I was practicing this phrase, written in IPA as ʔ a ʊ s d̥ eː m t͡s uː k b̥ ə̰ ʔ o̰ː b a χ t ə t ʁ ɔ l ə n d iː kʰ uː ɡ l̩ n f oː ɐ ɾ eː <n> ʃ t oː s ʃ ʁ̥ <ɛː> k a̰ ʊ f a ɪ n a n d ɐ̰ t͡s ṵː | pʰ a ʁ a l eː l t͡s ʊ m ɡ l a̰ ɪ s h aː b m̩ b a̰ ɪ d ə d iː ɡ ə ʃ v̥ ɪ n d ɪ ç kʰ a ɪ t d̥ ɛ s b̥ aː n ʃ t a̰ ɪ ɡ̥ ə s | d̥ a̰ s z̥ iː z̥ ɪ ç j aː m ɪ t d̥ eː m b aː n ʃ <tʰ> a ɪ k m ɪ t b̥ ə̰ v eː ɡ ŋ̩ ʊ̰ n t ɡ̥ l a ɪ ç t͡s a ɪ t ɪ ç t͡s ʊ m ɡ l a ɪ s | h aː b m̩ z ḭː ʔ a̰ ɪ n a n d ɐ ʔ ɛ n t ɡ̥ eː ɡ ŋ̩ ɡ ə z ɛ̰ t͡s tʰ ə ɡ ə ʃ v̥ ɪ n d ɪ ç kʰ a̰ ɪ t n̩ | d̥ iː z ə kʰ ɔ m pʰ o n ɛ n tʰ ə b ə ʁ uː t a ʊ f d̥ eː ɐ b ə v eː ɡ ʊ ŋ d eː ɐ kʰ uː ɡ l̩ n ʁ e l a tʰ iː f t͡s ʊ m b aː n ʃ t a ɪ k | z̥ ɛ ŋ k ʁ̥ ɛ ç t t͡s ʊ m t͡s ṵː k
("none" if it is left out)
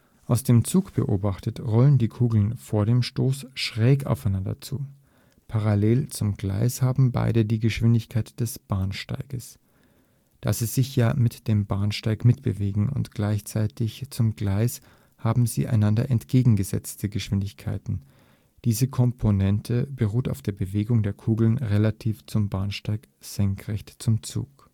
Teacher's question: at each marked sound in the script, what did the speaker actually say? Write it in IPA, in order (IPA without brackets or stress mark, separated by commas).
m, ɛː, t